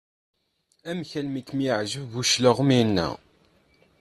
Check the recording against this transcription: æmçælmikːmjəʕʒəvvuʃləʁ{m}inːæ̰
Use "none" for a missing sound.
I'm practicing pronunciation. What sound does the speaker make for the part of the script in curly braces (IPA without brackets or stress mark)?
m